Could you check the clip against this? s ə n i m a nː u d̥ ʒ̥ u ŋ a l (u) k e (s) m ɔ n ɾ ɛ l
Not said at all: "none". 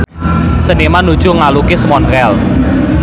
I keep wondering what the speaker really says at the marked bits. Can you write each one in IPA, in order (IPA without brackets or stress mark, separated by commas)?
u, s